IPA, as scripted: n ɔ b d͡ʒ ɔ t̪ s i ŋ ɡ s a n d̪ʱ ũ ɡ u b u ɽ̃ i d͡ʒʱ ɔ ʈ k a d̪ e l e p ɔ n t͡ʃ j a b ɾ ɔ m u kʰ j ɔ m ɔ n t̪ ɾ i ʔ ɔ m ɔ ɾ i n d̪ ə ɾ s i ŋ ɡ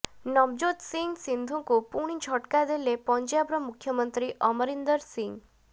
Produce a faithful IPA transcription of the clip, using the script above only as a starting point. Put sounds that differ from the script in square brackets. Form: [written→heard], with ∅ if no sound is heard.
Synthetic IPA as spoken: n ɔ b d͡ʒ [ɔ→o] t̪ s i ŋ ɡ s [a→i] n d̪ʱ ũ [ɡ→k] u [b→p] u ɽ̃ i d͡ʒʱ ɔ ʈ k a d̪ e l e p ɔ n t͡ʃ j a b ɾ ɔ m u kʰ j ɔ m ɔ n t̪ ɾ i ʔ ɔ m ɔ ɾ i n d̪ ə ɾ s i ŋ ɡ